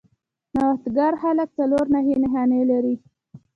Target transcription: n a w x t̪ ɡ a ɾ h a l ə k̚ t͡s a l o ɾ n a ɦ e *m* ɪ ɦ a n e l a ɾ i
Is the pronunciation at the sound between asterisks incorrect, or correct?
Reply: incorrect: n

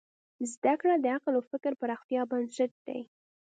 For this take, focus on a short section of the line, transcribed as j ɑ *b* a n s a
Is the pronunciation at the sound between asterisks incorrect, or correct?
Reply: correct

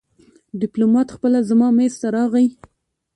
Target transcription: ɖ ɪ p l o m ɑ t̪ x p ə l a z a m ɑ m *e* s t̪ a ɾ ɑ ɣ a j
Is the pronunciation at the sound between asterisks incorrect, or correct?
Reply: correct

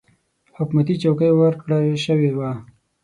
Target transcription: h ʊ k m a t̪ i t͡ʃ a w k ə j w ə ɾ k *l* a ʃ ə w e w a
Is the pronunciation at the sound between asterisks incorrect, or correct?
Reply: incorrect: ɽ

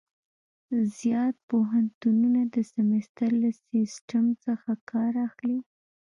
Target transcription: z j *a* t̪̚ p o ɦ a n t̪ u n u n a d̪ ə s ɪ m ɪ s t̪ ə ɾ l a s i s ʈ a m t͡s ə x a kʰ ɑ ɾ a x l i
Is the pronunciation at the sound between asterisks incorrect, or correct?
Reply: incorrect: ɑ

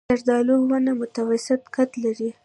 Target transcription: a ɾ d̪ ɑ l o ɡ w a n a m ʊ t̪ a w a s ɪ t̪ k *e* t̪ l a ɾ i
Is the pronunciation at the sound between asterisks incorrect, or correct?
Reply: incorrect: a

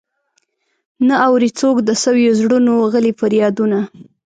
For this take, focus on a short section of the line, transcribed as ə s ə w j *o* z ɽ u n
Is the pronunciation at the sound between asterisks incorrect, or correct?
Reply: correct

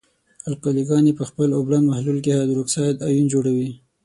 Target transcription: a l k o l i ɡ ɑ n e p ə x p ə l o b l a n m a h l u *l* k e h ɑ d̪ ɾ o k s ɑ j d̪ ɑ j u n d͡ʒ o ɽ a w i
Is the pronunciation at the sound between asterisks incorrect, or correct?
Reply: correct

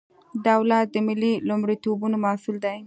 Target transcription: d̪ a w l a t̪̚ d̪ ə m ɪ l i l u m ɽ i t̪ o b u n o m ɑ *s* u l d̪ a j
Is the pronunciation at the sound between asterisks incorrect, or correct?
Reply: correct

